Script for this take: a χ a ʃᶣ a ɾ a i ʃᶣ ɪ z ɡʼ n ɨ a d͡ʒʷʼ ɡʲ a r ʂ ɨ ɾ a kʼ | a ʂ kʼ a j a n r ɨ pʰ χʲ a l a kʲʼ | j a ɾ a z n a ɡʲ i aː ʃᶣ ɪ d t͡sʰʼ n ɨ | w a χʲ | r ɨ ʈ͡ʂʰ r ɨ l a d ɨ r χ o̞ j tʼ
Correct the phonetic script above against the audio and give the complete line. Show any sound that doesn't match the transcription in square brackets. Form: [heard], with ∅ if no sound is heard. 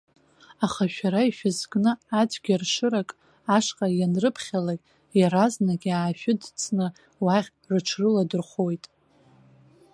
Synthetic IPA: a χ a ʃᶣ a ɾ a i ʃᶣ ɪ z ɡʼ n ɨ a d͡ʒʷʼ ɡʲ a r ʂ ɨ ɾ a kʼ | a ʂ [qʼ] a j a n r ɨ pʰ χʲ a l a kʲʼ | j a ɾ a z n a ɡʲ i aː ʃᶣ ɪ d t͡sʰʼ n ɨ | w a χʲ | r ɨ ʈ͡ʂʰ r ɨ l a d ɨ r χ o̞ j tʼ